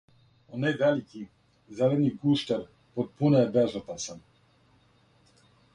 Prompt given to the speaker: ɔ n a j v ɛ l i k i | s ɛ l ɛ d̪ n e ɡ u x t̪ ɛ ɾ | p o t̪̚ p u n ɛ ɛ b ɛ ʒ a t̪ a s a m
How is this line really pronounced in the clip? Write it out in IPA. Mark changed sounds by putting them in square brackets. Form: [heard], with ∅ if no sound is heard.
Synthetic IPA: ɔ n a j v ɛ l i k i | [z] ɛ l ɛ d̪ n [i] ɡ u [ʃ] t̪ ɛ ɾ | p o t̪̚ p u n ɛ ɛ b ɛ ʒ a t̪ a s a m